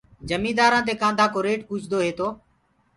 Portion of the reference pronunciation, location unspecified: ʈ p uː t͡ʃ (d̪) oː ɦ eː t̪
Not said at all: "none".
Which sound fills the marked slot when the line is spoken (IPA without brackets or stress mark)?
d̪